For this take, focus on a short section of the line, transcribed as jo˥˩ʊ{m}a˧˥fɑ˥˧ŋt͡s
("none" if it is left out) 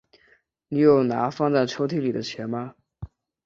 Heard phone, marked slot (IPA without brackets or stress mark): n